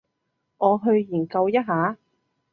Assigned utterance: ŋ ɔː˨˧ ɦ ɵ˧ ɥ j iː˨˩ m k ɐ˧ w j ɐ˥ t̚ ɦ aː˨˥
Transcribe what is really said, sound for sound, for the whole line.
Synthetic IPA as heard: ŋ ɔː˨˧ ɦ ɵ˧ ɥ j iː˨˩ n k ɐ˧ w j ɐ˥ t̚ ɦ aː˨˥